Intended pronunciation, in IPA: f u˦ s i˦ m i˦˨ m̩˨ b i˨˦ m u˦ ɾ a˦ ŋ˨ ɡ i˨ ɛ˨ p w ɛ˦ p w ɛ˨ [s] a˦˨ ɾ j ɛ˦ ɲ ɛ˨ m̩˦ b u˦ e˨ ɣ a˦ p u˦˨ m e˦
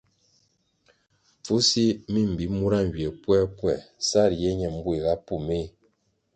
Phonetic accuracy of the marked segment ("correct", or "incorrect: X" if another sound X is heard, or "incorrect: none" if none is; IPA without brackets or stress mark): correct